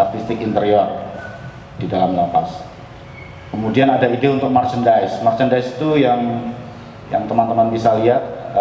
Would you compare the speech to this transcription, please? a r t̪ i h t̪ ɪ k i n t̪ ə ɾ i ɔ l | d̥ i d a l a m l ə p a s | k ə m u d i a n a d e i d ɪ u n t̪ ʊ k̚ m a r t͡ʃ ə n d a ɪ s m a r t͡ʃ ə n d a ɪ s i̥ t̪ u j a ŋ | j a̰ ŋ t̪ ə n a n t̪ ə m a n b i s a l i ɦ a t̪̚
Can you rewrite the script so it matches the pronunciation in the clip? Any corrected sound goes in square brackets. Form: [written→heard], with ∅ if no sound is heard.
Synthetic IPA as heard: a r t̪ i [h→s] t̪ ɪ k i n t̪ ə ɾ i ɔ [l→r] | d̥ i d a l a m l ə p a s | k ə m u d i a n a d [e→a] i d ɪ u n t̪ ʊ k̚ m a r t͡ʃ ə n d a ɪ s m a r t͡ʃ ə n d a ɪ s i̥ t̪ u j a ŋ | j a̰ ŋ t̪ ə [n→m] a n t̪ ə m a n b i s a l i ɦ a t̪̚